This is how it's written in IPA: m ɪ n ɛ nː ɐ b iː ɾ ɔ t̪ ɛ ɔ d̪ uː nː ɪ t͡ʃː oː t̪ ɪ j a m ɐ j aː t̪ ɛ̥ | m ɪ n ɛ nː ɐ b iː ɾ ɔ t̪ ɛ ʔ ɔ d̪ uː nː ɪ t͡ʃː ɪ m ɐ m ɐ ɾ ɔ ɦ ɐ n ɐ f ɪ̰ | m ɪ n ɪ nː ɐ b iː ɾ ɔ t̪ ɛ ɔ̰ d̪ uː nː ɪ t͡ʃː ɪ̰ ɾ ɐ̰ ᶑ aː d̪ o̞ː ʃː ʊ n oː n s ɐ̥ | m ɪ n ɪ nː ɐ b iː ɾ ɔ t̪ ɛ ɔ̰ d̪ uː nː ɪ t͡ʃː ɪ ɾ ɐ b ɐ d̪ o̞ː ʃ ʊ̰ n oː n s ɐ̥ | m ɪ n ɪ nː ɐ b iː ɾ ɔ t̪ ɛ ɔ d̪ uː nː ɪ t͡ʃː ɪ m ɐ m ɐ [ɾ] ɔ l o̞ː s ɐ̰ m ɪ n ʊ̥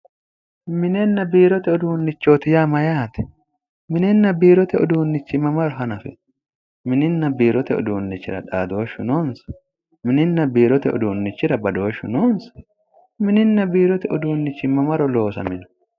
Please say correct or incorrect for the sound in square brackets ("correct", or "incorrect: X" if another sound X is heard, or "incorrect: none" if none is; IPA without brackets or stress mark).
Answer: correct